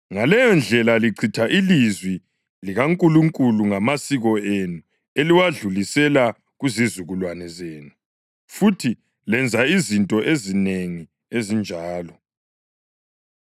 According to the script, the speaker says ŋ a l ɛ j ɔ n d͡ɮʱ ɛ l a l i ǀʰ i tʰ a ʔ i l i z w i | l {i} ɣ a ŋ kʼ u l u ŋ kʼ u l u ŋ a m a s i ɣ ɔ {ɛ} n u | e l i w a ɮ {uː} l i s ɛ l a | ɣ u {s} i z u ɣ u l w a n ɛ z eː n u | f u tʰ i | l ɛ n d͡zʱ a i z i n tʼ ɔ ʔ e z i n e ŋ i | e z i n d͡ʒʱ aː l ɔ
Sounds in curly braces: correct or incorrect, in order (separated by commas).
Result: correct, incorrect, incorrect, incorrect